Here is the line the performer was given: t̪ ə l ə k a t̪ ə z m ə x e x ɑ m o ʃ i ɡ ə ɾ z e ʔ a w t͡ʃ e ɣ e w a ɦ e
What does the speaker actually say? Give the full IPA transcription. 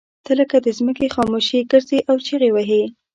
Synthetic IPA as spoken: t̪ ə l ə k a d̪ ə z m ə k e x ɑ m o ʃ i ɡ ə ɾ z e ʔ a w t͡ʃ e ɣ e w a ɦ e